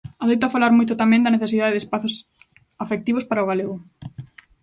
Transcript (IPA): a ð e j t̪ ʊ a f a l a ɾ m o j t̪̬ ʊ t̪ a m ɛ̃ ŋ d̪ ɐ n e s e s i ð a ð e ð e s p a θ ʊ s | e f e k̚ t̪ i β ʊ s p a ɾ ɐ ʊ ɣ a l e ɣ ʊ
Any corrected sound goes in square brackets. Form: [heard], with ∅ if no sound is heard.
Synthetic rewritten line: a ð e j t̪ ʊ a f a l a ɾ m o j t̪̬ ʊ t̪ a m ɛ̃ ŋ d̪ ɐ n e [θ] e s i ð a ð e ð e s p a θ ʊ s | [a] f e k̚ t̪ i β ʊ s p a ɾ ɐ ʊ ɣ a l e ɣ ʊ